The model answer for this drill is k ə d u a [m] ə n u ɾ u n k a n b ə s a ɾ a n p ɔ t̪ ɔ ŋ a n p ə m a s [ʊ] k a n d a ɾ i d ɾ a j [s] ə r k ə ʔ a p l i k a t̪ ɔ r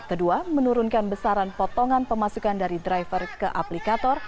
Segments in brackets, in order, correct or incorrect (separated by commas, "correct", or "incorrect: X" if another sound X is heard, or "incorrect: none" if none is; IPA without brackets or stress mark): correct, incorrect: u, incorrect: f